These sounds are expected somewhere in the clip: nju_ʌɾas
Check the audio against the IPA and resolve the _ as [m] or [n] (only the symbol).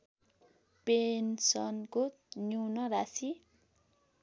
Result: n